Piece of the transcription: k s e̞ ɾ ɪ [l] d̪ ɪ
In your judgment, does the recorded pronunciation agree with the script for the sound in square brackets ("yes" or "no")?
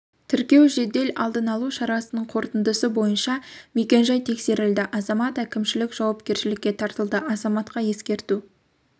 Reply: yes